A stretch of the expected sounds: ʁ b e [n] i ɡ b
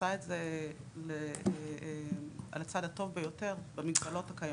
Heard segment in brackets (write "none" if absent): m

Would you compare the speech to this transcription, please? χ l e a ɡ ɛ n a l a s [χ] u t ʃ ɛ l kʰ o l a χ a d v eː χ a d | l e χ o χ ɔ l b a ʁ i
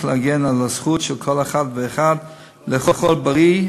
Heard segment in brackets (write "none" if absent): χ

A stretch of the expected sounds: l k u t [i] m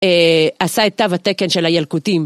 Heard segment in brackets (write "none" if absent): i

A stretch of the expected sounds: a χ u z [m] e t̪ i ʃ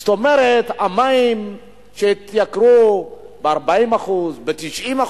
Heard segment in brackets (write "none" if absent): b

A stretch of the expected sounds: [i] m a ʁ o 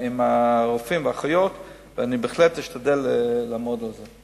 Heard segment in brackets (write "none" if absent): i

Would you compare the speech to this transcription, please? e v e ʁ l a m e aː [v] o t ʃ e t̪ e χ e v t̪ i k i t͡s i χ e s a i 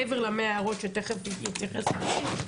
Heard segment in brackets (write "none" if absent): ʁ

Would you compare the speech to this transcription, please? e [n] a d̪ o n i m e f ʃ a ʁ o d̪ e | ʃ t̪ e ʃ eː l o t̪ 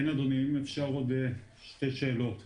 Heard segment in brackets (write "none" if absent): n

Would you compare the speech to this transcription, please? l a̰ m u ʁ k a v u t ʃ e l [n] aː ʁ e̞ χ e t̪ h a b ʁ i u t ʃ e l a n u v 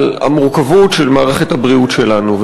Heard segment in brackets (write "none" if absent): m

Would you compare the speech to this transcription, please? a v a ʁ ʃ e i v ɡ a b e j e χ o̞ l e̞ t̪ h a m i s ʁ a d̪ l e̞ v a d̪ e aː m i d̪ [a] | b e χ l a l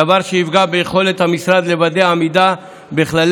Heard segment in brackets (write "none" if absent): a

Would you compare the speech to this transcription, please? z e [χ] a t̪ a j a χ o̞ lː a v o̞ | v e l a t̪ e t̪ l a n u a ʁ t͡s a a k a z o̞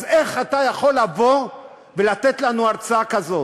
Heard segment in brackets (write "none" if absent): χ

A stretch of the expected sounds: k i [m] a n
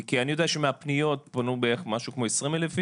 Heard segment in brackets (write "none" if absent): none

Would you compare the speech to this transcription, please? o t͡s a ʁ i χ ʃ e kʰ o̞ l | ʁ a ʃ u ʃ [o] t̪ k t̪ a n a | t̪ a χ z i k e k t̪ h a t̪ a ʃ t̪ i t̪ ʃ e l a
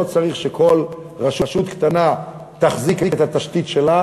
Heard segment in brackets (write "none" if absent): u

